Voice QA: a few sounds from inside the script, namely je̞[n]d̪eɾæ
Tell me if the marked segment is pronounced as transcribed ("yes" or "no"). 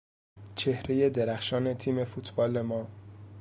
no